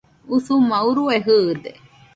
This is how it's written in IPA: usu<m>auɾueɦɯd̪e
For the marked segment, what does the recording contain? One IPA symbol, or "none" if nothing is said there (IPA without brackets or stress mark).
m